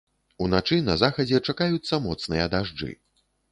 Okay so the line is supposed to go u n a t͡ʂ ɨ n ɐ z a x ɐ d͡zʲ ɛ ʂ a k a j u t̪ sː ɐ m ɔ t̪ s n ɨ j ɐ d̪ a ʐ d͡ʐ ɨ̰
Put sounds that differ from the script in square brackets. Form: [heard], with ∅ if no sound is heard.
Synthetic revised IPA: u n a t͡ʂ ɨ n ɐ z a x ɐ d͡zʲ ɛ [t͡ʂ] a k a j u t̪ sː ɐ m ɔ t̪ s n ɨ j ɐ d̪ a ʐ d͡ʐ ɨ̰